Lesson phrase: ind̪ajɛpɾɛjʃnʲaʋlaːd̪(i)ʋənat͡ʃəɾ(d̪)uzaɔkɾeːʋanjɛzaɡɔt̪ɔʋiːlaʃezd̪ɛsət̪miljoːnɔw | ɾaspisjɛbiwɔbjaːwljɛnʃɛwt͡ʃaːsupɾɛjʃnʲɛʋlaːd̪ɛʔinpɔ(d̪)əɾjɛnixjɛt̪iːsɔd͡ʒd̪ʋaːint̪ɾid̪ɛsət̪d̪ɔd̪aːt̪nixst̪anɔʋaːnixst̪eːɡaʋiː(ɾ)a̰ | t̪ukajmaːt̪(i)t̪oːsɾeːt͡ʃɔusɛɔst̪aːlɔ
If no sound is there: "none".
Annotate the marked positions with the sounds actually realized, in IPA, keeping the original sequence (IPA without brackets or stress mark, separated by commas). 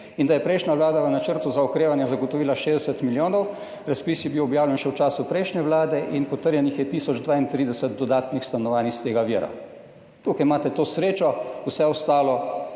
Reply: a, t̪, t̪, ɾ, ɛ